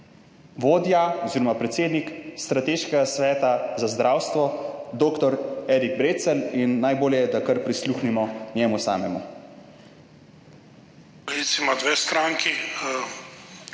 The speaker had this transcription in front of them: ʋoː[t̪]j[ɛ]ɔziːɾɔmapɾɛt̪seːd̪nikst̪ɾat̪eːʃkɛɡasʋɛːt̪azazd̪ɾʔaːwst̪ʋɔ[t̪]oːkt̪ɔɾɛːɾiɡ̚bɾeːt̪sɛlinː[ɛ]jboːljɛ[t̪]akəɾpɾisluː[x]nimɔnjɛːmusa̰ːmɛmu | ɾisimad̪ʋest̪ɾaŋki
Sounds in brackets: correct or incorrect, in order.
incorrect: d̪, incorrect: a, incorrect: d̪, incorrect: a, incorrect: d̪, correct

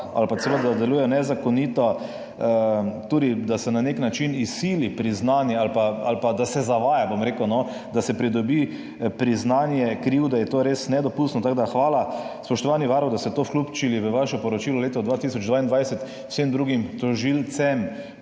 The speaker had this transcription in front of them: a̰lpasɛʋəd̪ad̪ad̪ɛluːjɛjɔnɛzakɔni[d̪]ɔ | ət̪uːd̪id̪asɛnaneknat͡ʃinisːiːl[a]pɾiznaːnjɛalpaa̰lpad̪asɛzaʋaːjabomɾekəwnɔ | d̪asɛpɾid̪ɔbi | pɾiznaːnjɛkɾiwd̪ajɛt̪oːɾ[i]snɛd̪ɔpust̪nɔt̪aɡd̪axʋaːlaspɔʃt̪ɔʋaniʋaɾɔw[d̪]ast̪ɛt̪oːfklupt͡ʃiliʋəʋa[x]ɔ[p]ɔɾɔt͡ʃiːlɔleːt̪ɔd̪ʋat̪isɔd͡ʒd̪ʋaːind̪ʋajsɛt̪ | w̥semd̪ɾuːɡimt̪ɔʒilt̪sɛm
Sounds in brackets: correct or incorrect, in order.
incorrect: t̪, incorrect: i, incorrect: e, correct, incorrect: ʃ, correct

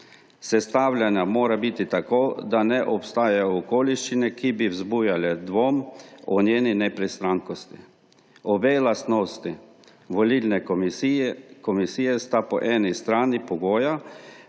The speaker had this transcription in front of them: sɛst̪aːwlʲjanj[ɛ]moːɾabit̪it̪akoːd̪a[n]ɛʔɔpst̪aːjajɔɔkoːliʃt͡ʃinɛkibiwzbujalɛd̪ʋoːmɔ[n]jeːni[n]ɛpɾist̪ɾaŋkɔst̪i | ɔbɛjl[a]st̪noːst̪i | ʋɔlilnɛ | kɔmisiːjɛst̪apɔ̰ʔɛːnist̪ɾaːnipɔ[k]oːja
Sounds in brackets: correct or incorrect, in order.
incorrect: a, correct, correct, correct, correct, incorrect: ɡ

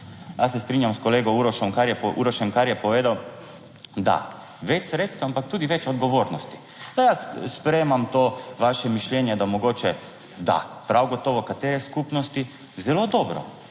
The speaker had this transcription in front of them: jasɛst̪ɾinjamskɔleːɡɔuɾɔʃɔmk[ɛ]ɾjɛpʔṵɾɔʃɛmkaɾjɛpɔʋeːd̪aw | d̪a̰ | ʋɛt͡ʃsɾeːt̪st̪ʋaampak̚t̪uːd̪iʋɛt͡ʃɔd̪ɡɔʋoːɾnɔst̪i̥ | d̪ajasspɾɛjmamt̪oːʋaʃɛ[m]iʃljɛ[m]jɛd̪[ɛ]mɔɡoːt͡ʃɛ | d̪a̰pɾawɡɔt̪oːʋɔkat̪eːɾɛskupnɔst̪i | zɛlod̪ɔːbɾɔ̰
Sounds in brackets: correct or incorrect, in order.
incorrect: a, correct, incorrect: n, incorrect: a

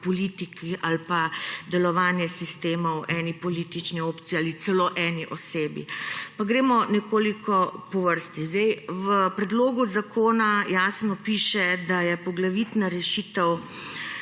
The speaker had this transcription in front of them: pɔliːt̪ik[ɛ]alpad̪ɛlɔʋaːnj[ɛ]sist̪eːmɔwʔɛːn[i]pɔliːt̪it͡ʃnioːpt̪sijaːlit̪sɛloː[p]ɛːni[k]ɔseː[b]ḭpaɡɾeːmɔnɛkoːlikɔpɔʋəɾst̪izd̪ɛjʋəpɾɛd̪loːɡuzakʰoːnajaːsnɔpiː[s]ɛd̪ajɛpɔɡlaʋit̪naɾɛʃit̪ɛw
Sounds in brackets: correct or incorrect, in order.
incorrect: i, correct, correct, incorrect: ʔ, incorrect: ʔ, correct, incorrect: ʃ

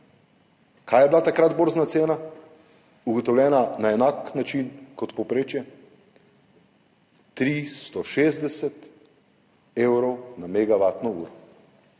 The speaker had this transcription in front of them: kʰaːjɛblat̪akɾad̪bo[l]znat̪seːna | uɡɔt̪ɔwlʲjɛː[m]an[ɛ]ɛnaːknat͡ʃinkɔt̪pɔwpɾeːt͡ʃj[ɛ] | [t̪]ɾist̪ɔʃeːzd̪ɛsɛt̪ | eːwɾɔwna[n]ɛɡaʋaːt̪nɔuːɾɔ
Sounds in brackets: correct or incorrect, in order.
incorrect: ɾ, incorrect: n, incorrect: a, correct, correct, incorrect: m

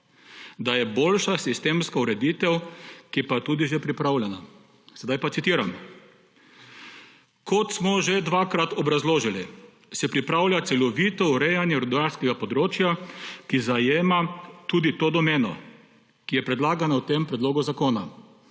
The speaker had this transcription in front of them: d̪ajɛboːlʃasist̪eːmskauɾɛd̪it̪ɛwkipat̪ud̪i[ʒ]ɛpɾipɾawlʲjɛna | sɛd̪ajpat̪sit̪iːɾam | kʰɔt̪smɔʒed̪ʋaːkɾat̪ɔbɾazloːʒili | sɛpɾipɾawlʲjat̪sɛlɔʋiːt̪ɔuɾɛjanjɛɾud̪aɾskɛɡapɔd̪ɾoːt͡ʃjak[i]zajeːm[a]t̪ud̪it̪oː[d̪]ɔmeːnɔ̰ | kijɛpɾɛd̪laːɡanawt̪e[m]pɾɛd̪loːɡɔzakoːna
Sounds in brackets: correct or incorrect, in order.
correct, correct, correct, correct, correct

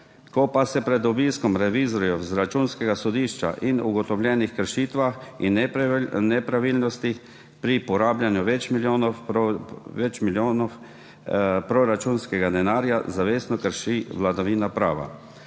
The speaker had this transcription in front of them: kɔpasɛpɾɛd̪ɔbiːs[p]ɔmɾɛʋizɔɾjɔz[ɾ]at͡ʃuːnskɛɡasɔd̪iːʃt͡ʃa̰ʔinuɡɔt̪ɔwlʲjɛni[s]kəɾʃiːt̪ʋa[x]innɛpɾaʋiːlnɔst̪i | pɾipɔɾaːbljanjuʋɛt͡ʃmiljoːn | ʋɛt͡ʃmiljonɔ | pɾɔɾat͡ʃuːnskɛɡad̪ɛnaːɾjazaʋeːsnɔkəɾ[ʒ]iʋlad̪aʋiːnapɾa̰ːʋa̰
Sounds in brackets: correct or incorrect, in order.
incorrect: k, correct, incorrect: x, correct, incorrect: ʃ

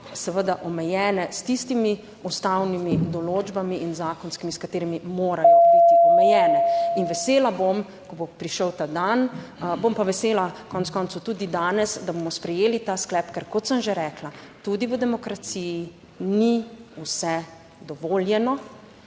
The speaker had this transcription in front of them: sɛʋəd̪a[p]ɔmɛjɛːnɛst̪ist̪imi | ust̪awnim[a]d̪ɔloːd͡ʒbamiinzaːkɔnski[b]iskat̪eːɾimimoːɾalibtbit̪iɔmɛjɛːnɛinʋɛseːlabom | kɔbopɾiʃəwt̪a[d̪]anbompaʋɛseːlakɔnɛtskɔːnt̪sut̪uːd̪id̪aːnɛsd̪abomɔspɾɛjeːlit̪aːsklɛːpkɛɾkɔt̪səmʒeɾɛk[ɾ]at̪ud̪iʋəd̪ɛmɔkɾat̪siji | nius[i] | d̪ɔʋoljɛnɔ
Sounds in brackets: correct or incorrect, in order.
incorrect: ʔ, incorrect: i, incorrect: m, correct, incorrect: l, incorrect: ɛ

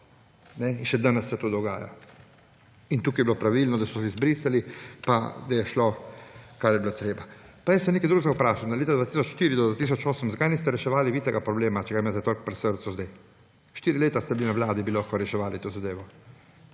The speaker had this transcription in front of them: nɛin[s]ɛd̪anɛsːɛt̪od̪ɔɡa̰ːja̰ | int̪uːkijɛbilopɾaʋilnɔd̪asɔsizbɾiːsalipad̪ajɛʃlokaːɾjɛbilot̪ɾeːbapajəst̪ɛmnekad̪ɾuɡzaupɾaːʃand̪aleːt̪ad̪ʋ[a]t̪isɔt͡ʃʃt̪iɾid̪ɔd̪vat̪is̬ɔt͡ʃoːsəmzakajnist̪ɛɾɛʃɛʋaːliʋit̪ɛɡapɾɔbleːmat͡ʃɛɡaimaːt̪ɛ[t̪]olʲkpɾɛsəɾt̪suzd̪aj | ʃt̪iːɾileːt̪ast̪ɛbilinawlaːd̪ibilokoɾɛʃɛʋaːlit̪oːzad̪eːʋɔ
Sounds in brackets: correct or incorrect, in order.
incorrect: ʃ, correct, correct

